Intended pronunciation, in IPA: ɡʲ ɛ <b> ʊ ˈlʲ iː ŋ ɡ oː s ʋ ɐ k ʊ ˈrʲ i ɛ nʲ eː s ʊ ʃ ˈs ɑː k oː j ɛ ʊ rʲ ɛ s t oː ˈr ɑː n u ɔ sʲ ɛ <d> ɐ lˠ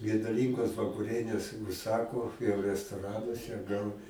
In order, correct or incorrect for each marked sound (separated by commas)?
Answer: incorrect, incorrect